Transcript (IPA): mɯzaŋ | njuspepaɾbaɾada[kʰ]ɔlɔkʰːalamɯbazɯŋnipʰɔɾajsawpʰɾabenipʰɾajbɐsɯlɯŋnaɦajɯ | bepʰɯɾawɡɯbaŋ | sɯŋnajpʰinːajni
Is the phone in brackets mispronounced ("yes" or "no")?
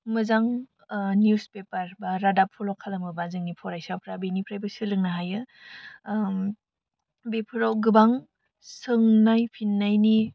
yes